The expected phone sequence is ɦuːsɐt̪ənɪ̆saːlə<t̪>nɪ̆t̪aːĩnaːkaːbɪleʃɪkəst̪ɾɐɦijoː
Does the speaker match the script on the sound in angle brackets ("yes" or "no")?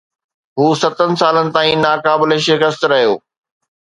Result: no